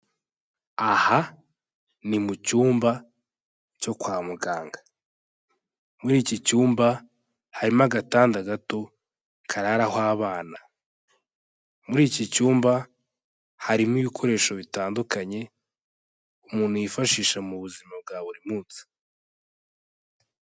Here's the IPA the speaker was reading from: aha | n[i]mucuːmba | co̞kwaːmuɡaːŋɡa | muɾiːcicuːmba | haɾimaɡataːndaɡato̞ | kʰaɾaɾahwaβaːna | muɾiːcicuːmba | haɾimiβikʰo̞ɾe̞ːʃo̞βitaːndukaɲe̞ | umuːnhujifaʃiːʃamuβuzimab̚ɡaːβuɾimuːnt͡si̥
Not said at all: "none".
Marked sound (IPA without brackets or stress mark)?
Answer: i